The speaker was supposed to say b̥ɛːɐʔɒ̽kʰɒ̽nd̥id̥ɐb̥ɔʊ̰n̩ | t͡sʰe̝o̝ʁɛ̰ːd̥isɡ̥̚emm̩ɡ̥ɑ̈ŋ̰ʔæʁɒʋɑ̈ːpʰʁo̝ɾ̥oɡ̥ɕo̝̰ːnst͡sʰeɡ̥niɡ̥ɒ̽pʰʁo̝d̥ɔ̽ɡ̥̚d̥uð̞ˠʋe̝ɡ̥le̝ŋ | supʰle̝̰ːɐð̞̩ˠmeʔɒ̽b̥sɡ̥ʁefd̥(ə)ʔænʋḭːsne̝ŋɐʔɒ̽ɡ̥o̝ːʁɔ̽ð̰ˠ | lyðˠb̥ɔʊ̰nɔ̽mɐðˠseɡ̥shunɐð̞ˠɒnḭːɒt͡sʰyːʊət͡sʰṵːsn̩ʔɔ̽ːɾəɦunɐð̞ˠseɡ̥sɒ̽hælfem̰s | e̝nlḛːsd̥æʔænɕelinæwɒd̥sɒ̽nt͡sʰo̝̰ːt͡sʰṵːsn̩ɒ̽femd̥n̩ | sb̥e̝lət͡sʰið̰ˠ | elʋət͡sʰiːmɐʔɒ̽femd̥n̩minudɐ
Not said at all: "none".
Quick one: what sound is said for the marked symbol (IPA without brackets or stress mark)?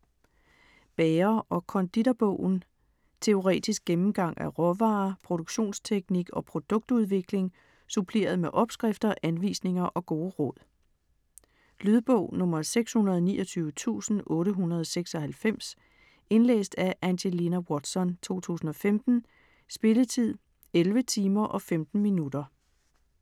ɐ